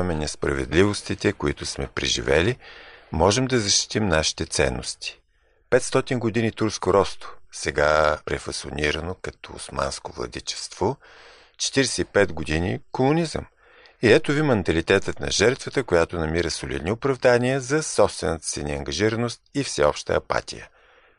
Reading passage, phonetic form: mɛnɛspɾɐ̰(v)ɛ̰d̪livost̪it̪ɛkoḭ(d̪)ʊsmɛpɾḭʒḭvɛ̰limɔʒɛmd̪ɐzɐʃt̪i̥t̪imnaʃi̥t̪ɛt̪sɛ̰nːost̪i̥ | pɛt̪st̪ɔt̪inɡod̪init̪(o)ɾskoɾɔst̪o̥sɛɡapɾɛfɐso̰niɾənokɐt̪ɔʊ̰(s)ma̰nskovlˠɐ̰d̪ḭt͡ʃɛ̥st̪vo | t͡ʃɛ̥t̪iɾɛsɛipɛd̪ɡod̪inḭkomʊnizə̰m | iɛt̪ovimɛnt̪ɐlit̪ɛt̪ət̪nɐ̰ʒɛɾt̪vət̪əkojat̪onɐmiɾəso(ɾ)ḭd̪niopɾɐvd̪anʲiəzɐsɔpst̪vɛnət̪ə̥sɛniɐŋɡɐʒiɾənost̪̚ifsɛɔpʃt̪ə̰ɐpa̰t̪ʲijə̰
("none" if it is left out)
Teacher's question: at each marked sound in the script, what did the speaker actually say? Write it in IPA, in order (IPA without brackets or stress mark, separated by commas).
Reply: v, t̪, u, s, l